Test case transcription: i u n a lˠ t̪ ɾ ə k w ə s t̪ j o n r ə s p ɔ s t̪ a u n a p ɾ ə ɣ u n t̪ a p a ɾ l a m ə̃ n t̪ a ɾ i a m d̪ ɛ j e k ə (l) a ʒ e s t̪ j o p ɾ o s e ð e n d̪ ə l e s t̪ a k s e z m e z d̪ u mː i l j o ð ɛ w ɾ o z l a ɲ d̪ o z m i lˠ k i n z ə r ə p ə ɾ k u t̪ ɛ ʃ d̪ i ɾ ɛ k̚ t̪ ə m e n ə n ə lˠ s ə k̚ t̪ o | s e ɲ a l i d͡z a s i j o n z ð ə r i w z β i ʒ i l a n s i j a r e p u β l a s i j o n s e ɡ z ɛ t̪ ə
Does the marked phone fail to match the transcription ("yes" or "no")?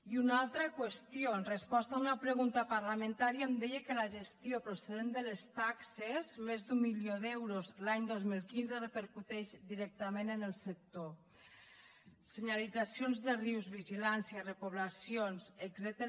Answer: no